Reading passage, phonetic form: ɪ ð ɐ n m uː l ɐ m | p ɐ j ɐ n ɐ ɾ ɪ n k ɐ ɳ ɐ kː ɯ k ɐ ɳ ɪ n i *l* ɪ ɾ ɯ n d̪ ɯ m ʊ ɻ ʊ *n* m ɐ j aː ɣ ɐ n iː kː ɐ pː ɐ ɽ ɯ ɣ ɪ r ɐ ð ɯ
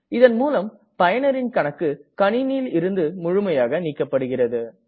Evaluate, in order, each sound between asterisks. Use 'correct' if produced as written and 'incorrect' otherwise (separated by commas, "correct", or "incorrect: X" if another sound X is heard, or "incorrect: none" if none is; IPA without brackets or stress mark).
correct, incorrect: none